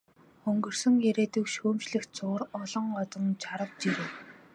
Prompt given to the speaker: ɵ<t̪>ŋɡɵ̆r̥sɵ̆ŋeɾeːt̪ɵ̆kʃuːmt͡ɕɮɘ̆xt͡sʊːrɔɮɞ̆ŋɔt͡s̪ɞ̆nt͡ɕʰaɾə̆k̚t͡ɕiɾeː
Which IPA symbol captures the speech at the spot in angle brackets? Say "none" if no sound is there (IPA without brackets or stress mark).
none